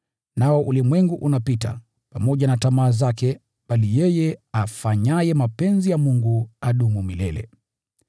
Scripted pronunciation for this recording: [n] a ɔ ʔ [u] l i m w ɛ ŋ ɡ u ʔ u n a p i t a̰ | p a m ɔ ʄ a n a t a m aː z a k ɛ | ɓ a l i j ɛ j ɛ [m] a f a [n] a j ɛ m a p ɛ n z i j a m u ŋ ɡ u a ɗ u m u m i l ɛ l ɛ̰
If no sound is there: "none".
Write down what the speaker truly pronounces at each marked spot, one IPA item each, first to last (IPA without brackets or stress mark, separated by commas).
n, u, none, ɲ